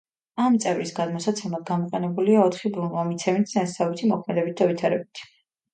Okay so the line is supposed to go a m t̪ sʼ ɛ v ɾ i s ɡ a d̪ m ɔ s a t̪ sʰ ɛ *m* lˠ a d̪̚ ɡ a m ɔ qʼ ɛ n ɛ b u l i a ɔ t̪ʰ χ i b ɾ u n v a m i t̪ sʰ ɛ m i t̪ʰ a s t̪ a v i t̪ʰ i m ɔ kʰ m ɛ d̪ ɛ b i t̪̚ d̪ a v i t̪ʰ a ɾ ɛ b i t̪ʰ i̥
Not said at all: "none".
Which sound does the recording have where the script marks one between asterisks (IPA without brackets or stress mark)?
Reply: m